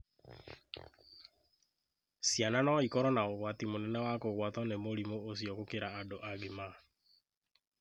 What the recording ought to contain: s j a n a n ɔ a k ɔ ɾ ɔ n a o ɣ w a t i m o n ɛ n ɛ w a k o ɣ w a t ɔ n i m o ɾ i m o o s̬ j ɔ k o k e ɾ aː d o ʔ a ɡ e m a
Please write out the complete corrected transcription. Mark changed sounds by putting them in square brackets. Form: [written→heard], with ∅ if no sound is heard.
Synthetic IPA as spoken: s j a n a n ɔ [a→i] k ɔ ɾ ɔ n a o ɣ w a t i m o n ɛ n ɛ w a k o ɣ w a t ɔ n [i→e] m o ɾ i m o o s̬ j ɔ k o k e ɾ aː d o ʔ a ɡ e m a